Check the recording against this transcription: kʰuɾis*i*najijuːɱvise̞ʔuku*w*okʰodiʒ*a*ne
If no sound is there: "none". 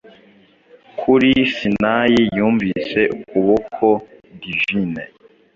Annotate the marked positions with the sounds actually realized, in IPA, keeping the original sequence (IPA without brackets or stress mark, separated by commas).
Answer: i, β, i